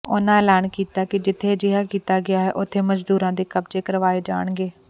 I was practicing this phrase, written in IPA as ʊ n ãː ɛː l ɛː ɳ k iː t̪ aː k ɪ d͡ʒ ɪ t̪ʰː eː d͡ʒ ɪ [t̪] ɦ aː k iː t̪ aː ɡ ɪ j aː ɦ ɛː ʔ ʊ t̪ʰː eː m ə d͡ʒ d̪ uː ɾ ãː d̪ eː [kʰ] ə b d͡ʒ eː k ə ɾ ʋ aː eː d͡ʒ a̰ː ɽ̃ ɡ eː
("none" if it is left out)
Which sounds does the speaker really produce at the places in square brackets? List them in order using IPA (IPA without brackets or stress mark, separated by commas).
none, k